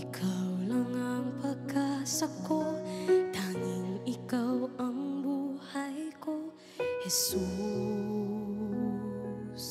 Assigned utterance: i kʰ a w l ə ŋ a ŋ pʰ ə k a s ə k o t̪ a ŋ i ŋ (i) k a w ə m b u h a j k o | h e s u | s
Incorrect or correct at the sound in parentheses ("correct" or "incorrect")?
correct